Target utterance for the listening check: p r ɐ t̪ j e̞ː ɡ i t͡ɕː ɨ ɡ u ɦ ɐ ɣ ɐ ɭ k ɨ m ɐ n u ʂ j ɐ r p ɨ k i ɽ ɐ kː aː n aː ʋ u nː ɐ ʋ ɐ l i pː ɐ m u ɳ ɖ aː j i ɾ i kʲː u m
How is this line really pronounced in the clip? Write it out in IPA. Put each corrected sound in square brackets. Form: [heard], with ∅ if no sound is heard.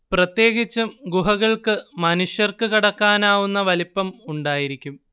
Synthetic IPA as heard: p r ɐ t̪ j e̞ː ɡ i t͡ɕː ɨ ɡ u ɦ ɐ ɣ ɐ ɭ k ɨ m ɐ n u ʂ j ɐ r [k] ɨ k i ɽ ɐ kː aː n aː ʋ u nː ɐ ʋ ɐ l i pː ɐ m u ɳ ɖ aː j i ɾ i kʲː u m

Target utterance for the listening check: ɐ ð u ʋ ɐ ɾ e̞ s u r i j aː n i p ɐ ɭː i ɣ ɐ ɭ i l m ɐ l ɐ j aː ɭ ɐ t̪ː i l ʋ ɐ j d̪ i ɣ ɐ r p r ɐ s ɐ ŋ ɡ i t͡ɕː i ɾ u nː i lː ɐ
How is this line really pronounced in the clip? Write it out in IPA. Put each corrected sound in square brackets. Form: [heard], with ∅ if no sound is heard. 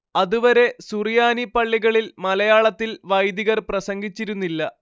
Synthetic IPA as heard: ɐ ð u ʋ ɐ ɾ e̞ s u r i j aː n i p ɐ ɭː i ɣ ɐ ɭ i l m ɐ l ɐ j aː ɭ ɐ t̪ː i l ʋ ɐ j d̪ i ɣ ɐ r p r ɐ s ɐ ŋ ɡ i t͡ɕː i ɾ u nː i lː ɐ

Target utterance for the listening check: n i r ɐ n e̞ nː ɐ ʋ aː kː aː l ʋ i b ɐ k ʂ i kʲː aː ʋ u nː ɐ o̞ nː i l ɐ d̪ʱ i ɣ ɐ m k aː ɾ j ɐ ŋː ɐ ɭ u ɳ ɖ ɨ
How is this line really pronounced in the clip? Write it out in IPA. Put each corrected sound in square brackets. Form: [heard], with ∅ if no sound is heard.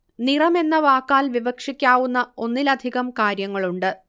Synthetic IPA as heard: n i r ɐ [m] e̞ nː ɐ ʋ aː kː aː l ʋ i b ɐ k ʂ i kʲː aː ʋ u nː ɐ o̞ nː i l ɐ d̪ʱ i ɣ ɐ m k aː ɾ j ɐ ŋː ɐ ɭ u ɳ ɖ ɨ

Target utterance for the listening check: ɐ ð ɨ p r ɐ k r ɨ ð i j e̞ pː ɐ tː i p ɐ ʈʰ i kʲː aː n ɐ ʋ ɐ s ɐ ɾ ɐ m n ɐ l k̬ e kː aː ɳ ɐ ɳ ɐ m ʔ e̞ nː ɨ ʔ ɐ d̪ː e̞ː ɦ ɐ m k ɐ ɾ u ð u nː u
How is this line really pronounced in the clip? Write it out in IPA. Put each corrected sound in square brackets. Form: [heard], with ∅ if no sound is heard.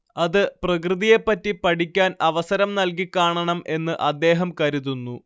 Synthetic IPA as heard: ɐ ð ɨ p r ɐ k r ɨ ð i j e̞ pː ɐ tː i p ɐ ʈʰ i kʲː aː n ɐ ʋ ɐ s ɐ ɾ ɐ m n ɐ l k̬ [i] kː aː ɳ ɐ ɳ ɐ m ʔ e̞ nː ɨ ʔ ɐ d̪ː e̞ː ɦ ɐ m k ɐ ɾ u ð u nː u

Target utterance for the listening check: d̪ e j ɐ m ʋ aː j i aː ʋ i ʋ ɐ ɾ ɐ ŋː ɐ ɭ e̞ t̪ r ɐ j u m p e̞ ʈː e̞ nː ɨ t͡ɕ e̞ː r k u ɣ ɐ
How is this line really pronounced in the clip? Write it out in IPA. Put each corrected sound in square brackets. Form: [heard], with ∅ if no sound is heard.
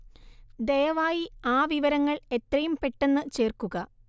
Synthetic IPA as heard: d̪ e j ɐ [∅] ʋ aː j i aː ʋ i ʋ ɐ ɾ ɐ ŋː ɐ ɭ e̞ t̪ r ɐ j u m p e̞ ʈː e̞ nː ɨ t͡ɕ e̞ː r k u ɣ ɐ

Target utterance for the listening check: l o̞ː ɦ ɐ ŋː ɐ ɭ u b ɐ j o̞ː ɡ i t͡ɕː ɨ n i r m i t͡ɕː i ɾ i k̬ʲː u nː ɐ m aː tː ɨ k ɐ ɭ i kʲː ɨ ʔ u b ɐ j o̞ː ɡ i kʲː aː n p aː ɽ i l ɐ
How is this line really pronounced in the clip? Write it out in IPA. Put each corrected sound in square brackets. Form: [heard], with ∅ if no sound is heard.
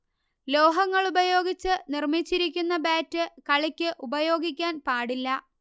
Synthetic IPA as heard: l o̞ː ɦ ɐ ŋː ɐ ɭ u b ɐ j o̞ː ɡ i t͡ɕː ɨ n i r m i t͡ɕː i ɾ i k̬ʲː u nː ɐ [b] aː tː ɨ k ɐ ɭ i kʲː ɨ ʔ u b ɐ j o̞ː ɡ i kʲː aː n p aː ɽ i [lː] ɐ

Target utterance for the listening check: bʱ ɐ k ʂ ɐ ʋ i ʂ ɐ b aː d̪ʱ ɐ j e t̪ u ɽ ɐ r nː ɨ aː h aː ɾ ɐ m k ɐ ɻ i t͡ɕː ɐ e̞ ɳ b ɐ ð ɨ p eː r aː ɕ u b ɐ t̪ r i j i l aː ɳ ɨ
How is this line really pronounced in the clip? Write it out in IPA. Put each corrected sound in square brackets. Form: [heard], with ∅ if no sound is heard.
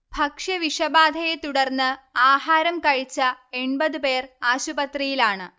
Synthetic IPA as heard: bʱ ɐ k ʂ ɐ ʋ i ʂ ɐ b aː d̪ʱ ɐ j e t̪ u ɽ ɐ r nː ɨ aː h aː ɾ ɐ m k ɐ ɻ i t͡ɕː ɐ e̞ ɳ b ɐ ð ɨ p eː r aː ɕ u b ɐ t̪ r i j i l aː ɳ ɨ

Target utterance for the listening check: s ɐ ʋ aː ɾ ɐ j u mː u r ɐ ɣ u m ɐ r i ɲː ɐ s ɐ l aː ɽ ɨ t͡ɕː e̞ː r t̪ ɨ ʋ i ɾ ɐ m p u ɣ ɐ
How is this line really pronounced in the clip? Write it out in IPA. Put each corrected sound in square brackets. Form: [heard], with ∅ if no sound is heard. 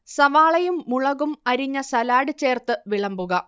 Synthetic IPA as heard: s ɐ ʋ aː [ɭ] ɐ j u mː u [ɭ] ɐ ɣ u m ɐ [ɾ] i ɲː ɐ s ɐ l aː ɽ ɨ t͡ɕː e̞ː r t̪ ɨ ʋ i [ɭ] ɐ m [b] u ɣ ɐ

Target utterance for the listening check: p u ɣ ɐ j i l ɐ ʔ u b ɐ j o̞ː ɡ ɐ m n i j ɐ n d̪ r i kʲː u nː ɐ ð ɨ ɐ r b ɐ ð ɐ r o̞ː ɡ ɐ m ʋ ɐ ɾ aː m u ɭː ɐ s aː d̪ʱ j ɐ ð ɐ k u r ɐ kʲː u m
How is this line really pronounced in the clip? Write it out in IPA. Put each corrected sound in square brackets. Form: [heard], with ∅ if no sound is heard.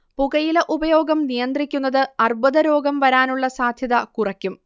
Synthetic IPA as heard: p u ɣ ɐ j i l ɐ ʔ u b ɐ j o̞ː ɡ ɐ m n i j ɐ n d̪ r i kʲː u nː ɐ ð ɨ ɐ r b ɐ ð ɐ [ɾ] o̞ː ɡ ɐ m ʋ ɐ ɾ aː [n] u ɭː ɐ s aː d̪ʱ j ɐ ð ɐ k u r ɐ kʲː u m

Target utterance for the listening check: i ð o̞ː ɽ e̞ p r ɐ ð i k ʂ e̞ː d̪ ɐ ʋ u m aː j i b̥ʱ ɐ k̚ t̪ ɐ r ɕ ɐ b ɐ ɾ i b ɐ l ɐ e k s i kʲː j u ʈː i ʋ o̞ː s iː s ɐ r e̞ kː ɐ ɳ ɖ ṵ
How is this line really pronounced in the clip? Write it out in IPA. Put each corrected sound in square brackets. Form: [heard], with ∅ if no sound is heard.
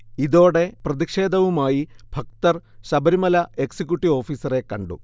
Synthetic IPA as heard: i ð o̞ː ɽ e̞ p r ɐ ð i k ʂ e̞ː d̪ ɐ ʋ u m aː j i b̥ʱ ɐ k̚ t̪ ɐ r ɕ ɐ b ɐ ɾ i [m] ɐ l ɐ e k s i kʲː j u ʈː i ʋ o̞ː [f] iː s ɐ r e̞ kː ɐ ɳ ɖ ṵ

